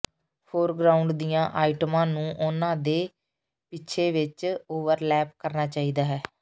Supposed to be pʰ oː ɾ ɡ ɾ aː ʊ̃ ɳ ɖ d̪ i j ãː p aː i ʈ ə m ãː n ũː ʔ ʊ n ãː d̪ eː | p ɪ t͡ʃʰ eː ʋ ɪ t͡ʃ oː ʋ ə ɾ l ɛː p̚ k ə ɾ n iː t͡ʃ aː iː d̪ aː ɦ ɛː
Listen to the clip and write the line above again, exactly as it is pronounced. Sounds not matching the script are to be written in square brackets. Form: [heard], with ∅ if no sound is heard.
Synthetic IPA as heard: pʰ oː ɾ ɡ ɾ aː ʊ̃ ɳ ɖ d̪ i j ãː [ʔ] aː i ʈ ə m ãː n ũː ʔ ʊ n ãː d̪ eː | p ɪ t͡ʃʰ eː ʋ ɪ t͡ʃ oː ʋ ə ɾ l ɛː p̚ k ə ɾ n [aː] t͡ʃ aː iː d̪ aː ɦ ɛː